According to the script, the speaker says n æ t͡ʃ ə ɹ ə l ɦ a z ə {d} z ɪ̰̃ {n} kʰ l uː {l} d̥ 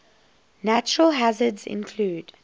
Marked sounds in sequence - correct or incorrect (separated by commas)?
correct, correct, incorrect